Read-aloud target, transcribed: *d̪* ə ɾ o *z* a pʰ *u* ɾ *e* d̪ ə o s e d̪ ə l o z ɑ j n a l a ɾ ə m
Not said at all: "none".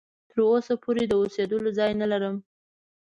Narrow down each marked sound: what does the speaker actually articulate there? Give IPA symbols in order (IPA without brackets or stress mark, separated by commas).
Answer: t̪, s, o, e